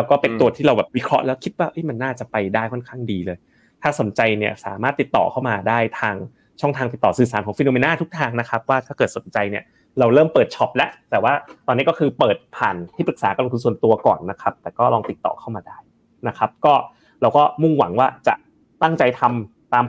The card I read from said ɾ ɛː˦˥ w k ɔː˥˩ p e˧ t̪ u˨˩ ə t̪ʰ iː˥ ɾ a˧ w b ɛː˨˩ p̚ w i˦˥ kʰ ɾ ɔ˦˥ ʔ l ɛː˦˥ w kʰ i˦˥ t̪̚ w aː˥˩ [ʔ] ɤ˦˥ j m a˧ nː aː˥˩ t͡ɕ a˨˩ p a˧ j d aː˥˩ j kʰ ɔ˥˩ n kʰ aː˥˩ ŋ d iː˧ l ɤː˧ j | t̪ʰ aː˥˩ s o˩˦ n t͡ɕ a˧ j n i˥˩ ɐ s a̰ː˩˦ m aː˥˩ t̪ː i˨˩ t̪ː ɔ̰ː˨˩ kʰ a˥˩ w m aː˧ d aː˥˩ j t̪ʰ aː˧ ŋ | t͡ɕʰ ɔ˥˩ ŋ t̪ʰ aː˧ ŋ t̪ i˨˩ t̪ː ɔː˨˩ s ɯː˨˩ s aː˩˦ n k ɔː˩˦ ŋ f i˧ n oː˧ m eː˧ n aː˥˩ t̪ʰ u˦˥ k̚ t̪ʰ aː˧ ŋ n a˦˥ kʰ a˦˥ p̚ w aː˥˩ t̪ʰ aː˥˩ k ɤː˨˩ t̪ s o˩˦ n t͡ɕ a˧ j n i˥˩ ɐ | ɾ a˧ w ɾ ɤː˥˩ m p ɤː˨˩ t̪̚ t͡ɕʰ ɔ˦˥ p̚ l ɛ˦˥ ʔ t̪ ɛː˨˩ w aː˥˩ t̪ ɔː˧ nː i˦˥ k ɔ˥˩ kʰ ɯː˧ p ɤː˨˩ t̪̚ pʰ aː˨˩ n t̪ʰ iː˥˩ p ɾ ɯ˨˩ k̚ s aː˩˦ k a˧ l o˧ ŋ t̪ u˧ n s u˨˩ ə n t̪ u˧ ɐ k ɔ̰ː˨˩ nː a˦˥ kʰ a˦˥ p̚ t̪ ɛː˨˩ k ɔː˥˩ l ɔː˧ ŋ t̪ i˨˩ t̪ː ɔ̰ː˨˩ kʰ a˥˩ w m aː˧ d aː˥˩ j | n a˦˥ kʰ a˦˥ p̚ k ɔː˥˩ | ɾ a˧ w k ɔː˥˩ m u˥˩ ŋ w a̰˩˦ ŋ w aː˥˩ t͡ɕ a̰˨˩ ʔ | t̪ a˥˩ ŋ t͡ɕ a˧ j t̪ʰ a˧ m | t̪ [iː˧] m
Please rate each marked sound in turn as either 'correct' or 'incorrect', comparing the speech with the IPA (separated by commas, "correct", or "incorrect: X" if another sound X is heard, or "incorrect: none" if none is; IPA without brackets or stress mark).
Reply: correct, incorrect: aː˧